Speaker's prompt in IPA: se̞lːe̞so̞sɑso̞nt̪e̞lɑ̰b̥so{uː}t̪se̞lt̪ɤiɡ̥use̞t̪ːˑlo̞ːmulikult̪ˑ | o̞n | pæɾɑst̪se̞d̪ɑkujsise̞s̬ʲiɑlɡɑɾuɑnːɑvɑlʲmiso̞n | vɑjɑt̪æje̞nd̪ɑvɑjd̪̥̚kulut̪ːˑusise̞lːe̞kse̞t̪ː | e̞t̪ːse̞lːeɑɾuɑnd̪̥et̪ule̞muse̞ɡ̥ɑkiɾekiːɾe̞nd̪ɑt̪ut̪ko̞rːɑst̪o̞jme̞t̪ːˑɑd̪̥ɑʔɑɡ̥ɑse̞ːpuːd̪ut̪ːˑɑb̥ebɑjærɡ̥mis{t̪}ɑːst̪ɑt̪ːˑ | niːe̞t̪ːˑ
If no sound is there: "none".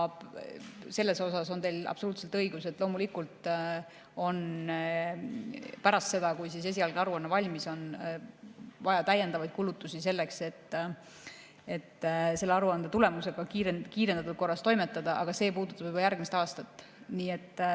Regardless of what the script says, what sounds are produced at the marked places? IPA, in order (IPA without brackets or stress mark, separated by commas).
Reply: uː, t̪